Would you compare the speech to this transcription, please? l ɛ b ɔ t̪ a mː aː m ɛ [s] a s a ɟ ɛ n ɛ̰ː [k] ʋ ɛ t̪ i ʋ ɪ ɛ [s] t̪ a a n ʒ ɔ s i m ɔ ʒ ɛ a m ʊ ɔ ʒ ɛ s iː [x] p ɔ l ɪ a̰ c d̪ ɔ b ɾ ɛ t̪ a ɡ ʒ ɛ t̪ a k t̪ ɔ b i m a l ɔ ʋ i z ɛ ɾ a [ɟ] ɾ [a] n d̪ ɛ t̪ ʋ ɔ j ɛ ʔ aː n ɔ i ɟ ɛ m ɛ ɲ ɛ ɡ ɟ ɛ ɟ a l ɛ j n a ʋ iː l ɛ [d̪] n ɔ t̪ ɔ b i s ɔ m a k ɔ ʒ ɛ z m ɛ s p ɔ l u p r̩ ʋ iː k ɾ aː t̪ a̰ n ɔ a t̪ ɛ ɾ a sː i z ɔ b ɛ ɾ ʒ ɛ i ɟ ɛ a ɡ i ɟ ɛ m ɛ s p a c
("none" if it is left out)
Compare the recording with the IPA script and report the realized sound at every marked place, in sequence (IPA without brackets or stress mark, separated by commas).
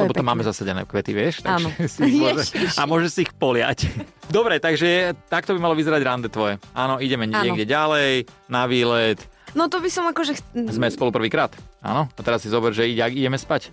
z, k, ʃ, x, ɟ, a, t̪